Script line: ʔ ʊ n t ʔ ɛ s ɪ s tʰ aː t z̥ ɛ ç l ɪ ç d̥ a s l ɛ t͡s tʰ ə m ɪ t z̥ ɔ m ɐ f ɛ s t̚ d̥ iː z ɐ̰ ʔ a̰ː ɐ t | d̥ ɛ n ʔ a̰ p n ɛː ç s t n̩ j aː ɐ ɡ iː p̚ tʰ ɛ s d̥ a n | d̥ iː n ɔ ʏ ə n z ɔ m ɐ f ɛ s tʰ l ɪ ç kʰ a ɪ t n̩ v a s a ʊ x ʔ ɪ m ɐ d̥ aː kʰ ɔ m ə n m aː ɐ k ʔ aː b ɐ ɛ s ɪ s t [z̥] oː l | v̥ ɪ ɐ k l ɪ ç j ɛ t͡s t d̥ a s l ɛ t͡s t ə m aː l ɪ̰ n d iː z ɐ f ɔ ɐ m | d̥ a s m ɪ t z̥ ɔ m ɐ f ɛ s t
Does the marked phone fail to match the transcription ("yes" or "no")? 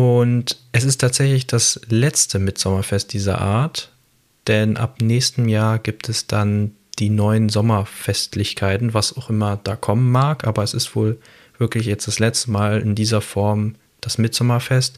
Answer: yes